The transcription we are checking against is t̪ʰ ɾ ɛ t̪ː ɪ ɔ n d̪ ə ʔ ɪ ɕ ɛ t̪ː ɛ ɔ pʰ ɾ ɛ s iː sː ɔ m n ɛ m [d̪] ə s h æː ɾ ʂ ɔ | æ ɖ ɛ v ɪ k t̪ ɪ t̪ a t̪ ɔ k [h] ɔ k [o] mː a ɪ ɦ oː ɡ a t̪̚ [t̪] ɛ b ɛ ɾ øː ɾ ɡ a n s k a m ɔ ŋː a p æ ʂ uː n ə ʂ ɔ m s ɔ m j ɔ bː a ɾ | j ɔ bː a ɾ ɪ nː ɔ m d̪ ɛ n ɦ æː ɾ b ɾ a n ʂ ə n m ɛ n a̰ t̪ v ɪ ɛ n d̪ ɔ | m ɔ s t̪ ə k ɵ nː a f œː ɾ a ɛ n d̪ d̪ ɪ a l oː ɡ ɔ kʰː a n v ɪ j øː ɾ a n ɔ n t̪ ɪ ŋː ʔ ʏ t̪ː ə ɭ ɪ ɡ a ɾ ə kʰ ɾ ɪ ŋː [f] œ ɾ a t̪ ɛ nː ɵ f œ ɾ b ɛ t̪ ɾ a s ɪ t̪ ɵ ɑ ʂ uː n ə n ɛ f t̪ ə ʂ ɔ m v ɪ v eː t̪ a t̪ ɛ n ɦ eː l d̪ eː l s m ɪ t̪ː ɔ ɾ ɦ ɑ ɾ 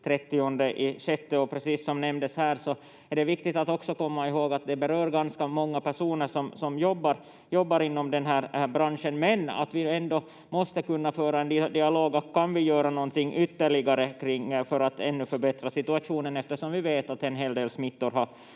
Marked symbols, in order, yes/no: yes, no, no, no, yes

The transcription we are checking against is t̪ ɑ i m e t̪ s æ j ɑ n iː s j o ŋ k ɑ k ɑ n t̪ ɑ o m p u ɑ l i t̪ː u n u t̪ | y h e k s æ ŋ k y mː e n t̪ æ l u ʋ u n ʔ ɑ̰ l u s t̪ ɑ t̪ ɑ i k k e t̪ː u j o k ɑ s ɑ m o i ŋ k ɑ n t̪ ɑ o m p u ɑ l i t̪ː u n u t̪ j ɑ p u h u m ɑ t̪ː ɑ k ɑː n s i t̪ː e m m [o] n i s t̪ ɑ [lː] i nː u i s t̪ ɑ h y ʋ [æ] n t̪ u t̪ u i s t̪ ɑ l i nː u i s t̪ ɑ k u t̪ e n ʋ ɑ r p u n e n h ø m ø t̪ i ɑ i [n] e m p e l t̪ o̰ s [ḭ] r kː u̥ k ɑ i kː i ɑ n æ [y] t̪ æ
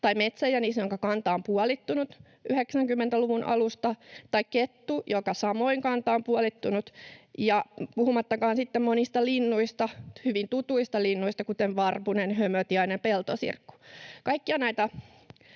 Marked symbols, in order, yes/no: yes, no, no, yes, yes, no

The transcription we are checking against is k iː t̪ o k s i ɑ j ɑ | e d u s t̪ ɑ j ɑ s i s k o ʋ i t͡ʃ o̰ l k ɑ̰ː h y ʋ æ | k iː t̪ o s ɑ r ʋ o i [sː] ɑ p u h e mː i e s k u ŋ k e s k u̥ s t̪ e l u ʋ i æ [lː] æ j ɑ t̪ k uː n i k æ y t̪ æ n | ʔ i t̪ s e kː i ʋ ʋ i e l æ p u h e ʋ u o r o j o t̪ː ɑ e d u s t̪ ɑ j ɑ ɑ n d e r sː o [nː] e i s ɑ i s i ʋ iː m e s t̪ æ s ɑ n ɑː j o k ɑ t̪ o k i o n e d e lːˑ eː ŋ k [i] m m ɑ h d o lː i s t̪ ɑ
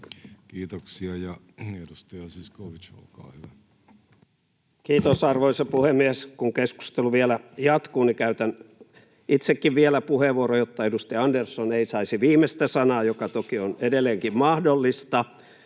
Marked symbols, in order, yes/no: no, no, no, yes

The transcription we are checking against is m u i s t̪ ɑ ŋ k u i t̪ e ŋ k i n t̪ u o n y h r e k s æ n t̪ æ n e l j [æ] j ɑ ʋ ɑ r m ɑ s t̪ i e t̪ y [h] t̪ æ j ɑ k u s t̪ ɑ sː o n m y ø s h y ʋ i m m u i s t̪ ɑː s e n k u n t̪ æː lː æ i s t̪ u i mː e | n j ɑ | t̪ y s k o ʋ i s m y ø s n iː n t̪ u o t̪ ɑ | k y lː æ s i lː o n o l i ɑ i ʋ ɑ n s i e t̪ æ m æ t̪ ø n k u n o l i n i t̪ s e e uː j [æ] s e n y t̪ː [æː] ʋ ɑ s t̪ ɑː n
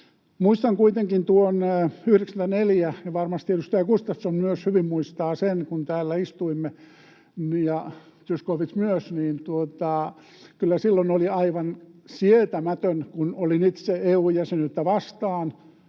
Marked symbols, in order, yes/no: yes, no, yes, no

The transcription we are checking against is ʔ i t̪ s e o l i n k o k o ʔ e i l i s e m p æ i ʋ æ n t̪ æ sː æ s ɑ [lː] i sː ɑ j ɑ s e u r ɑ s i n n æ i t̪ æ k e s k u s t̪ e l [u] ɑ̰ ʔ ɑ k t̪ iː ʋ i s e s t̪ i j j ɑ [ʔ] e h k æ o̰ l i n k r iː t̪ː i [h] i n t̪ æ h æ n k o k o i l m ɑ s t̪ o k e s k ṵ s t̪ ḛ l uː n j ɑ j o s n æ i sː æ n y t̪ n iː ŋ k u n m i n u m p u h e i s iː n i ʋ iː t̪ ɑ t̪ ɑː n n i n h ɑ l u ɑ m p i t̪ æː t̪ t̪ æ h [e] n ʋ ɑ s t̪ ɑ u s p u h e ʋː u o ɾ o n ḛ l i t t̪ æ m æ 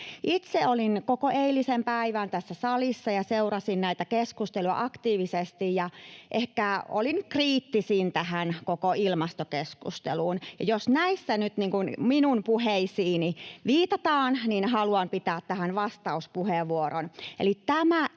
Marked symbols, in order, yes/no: no, yes, yes, no, no

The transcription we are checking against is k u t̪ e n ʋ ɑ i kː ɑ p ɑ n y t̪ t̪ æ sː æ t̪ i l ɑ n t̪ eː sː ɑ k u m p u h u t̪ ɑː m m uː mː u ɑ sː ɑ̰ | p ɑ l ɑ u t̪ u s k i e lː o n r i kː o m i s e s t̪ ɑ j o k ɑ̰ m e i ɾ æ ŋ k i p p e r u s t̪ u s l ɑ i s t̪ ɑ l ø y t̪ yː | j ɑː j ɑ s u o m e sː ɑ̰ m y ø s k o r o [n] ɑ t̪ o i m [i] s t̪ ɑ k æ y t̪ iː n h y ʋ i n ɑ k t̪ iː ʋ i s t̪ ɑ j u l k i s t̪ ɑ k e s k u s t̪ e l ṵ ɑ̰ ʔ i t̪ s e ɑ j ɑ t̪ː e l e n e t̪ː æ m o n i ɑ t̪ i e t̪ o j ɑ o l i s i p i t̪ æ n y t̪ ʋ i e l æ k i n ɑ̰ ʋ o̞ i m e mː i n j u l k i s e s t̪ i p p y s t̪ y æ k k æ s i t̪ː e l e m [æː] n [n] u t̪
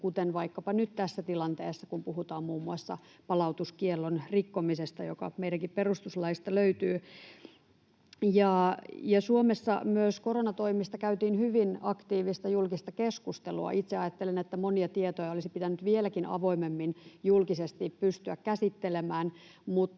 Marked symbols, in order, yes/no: yes, yes, yes, no

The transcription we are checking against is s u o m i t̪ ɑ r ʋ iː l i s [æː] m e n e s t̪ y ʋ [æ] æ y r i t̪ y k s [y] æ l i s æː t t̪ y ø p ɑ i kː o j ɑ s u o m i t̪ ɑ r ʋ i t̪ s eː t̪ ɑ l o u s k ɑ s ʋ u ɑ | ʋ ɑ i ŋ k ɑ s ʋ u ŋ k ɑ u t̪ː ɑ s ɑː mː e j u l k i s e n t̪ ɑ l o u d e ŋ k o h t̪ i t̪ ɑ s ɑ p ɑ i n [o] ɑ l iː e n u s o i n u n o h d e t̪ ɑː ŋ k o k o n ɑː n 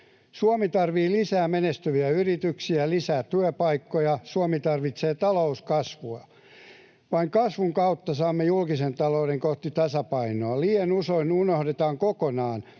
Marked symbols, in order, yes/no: yes, no, no, yes

